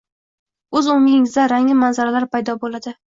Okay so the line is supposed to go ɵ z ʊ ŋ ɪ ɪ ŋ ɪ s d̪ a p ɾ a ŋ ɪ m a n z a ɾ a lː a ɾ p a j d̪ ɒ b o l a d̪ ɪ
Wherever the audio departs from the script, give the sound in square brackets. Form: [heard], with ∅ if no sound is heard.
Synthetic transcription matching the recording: ɵ z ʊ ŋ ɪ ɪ ŋ ɪ [z] d̪ a [∅] ɾ a ŋ ɪ m a n z a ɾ a [l] a ɾ p a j d̪ ɒ b o l a d̪ ɪ